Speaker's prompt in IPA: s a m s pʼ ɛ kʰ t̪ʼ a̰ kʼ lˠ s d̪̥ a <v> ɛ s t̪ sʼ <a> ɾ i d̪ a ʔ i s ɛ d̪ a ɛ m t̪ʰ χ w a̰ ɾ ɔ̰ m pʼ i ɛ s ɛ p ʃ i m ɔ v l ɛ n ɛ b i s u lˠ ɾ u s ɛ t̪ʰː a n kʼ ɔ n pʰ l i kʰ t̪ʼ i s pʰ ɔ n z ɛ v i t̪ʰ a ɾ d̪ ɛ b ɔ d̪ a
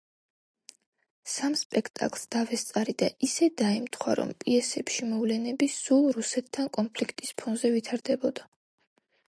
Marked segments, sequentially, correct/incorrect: correct, correct

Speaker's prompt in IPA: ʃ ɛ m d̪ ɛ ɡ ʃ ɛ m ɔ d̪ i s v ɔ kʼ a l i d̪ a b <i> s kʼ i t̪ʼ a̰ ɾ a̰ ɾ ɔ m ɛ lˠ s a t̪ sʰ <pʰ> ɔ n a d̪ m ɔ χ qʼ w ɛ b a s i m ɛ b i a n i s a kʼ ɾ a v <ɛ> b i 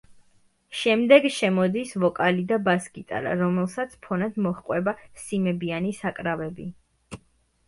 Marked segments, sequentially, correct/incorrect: incorrect: a, correct, correct

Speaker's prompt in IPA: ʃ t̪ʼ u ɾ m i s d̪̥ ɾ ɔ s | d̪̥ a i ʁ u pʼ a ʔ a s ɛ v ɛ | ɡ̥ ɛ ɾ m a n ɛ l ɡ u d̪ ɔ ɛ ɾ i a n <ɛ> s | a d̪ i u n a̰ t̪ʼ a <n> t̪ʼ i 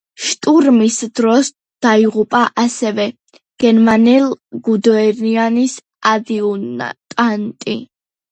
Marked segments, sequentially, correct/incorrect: incorrect: i, correct

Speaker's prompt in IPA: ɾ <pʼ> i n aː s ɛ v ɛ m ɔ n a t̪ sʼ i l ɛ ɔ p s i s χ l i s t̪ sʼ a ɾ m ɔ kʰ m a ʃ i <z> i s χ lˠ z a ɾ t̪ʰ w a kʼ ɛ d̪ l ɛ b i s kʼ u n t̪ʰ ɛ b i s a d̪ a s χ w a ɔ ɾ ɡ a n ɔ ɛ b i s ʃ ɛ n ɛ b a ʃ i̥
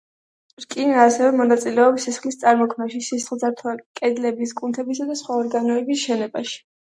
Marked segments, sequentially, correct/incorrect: incorrect: kʼ, incorrect: s

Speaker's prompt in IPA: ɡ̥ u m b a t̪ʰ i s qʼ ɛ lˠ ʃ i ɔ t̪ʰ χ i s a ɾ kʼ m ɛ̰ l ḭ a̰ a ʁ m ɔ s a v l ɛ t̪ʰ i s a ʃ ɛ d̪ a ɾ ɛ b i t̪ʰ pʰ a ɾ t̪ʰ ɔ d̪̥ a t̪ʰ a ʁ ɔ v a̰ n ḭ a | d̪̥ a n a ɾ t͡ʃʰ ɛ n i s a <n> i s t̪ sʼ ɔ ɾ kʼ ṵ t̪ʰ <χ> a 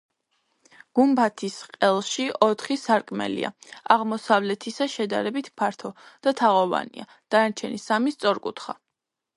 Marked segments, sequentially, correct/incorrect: incorrect: m, correct

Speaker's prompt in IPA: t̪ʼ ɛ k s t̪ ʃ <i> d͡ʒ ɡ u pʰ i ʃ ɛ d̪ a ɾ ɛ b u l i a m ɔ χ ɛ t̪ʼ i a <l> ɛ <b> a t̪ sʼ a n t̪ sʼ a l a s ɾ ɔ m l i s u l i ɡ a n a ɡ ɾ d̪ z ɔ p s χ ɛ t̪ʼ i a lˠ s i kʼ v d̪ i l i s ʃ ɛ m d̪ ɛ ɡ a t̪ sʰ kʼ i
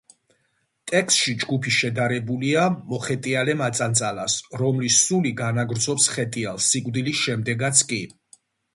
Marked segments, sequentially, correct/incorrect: correct, correct, incorrect: m

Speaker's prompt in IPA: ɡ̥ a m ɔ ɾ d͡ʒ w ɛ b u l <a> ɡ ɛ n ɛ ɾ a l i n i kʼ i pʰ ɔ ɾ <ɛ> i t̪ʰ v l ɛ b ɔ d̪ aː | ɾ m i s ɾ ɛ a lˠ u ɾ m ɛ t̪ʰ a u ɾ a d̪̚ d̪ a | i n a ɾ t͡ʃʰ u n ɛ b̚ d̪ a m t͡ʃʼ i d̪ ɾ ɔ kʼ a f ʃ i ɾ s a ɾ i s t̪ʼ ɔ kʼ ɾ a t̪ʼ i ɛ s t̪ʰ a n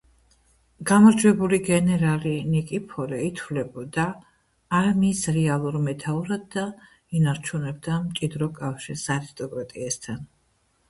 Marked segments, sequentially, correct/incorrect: incorrect: i, correct

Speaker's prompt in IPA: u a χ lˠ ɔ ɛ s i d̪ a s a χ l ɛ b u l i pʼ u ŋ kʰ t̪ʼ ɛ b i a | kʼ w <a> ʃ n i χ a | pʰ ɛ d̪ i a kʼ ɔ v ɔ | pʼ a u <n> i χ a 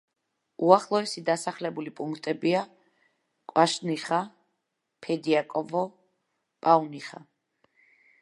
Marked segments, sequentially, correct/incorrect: correct, correct

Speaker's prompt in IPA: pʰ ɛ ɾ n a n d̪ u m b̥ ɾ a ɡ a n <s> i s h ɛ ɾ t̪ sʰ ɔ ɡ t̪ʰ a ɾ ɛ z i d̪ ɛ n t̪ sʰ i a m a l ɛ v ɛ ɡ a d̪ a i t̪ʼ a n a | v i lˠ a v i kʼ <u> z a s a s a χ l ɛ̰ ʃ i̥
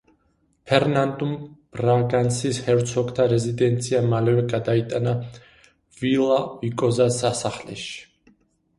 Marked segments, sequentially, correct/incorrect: correct, incorrect: ɔ

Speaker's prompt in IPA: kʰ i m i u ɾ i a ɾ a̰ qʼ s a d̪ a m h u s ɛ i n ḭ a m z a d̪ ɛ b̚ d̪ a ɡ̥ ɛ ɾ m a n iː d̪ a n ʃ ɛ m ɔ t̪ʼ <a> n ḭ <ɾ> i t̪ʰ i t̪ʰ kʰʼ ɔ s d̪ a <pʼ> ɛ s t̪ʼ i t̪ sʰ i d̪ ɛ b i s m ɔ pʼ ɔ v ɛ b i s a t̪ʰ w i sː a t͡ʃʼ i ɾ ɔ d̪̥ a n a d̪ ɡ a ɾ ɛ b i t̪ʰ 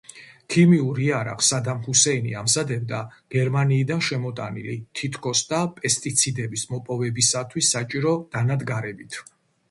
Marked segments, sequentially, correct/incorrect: correct, incorrect: l, correct

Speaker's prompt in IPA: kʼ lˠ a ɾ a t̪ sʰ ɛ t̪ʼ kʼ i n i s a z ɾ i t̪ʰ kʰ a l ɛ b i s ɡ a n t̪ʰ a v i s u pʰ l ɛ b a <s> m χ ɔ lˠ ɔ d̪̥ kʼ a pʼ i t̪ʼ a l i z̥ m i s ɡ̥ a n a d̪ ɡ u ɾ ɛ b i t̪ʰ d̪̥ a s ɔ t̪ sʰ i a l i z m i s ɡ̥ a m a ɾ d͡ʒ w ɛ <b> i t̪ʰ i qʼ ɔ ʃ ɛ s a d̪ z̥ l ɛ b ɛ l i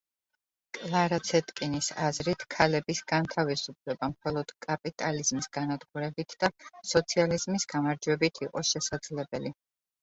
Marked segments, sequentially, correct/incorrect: incorrect: none, correct

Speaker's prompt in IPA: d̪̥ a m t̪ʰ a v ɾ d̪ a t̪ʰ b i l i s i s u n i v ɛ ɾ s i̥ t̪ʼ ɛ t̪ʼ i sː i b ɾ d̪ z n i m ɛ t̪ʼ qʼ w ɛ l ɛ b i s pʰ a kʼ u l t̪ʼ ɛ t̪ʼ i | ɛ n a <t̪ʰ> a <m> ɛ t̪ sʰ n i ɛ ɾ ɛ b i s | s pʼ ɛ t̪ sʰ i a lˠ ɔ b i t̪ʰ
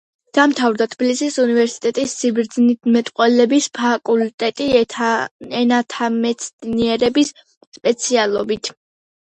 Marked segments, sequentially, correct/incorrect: correct, correct

